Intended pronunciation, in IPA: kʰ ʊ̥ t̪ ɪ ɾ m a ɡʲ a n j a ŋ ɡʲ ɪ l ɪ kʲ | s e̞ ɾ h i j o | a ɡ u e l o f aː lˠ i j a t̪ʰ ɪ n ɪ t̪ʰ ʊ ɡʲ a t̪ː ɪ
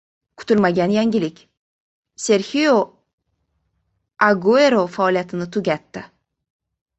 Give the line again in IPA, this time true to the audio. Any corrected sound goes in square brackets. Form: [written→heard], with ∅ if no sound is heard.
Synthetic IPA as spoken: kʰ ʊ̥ t̪ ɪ [ɾ→l] m a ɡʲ a n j a ŋ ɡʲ ɪ l ɪ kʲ | s e̞ ɾ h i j o | a ɡ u e [l→ɾ] o f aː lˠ i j a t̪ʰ ɪ n ɪ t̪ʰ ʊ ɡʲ a t̪ː ɪ